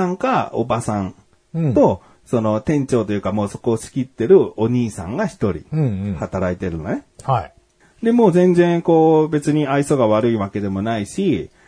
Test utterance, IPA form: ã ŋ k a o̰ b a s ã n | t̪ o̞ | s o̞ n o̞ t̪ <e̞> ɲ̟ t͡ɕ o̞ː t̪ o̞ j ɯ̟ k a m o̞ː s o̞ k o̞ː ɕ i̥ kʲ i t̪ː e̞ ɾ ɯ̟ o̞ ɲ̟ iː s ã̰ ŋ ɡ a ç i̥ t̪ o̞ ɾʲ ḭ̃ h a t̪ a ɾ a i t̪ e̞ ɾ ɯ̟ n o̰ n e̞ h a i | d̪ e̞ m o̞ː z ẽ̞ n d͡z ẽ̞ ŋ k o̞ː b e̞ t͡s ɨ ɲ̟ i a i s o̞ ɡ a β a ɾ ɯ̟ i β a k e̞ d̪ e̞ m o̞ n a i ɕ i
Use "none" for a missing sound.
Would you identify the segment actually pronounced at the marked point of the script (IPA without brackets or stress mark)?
ẽ̞